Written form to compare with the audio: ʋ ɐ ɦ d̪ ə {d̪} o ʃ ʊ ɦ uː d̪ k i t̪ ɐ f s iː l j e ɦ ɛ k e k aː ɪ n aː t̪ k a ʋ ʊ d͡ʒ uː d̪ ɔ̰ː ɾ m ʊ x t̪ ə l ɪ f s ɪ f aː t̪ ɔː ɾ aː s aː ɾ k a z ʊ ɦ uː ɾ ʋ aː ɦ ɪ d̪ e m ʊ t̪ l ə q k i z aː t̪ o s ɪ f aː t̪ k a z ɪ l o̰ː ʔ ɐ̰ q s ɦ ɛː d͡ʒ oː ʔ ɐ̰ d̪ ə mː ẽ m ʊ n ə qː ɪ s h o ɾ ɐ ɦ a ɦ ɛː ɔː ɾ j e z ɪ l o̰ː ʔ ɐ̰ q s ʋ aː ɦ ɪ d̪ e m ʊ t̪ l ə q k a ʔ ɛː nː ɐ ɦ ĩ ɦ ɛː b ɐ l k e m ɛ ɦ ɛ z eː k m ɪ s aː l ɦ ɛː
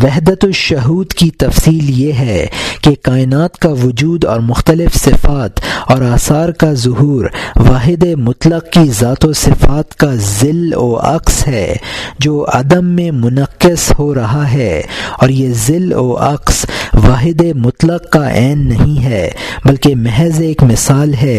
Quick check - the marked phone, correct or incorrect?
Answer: incorrect